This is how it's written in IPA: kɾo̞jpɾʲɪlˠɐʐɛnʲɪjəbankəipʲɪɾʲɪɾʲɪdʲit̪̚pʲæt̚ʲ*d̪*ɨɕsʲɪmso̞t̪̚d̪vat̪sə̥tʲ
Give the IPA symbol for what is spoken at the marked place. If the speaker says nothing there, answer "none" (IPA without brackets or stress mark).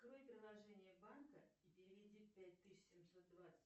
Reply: t̪